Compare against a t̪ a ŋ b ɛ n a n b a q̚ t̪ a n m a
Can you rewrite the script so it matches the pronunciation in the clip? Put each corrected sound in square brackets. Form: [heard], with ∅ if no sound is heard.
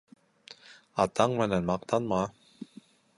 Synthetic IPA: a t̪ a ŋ [m] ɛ n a n [m] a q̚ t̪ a n m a